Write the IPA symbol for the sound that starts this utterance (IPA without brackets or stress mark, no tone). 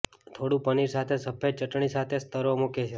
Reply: t̪ʰ